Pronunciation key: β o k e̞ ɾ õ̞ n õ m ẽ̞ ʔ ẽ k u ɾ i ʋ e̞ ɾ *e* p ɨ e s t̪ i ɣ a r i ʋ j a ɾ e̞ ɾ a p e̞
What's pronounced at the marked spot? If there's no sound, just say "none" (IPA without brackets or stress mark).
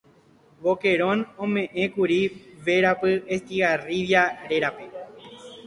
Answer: a